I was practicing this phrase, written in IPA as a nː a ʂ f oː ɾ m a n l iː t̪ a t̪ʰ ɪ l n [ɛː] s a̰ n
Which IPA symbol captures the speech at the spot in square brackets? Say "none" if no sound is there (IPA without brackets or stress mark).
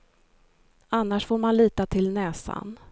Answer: ɛː